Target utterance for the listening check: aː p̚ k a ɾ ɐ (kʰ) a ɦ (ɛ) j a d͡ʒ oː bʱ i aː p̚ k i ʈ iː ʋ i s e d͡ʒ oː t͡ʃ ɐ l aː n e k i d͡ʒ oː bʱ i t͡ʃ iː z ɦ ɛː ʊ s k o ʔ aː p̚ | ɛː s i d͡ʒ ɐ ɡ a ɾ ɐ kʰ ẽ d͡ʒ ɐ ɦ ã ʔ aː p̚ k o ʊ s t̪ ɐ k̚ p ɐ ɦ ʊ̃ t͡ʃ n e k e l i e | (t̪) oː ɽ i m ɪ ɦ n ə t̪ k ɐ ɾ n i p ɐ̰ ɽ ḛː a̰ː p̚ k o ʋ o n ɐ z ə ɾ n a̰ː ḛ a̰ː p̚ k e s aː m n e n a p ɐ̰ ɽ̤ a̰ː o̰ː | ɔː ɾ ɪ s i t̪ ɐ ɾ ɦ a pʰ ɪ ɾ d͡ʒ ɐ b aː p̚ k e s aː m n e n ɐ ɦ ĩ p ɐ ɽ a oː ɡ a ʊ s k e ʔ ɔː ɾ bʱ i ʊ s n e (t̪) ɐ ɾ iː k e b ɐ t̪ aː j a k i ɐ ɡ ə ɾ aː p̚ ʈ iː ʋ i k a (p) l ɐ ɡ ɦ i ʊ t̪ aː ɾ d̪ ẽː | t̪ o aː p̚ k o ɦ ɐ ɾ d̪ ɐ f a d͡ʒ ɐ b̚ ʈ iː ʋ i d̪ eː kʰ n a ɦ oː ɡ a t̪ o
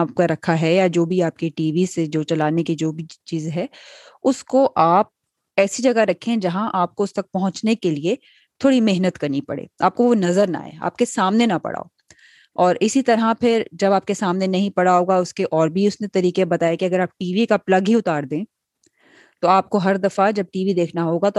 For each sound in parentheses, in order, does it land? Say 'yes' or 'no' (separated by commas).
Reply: yes, yes, no, yes, yes